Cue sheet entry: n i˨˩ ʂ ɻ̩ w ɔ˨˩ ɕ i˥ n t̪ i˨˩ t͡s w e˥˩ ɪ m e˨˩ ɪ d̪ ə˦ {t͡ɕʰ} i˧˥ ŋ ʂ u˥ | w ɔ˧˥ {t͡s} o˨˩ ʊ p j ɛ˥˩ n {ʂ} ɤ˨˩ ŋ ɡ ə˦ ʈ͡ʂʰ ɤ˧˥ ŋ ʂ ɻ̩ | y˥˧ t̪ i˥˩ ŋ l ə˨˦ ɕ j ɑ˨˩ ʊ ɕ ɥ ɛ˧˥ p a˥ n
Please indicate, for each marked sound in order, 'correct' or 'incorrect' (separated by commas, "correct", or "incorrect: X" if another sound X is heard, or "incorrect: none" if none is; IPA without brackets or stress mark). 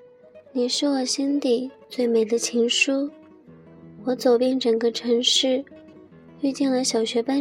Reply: correct, correct, incorrect: ʈ͡ʂ